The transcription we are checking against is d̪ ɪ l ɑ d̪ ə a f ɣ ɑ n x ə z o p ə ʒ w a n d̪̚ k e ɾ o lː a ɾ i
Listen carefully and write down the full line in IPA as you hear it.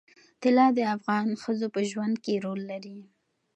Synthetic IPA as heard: t̪ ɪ l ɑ d̪ ə a f ɣ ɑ n x ə z o p ə ʒ w a n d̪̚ k e ɾ o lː a ɾ i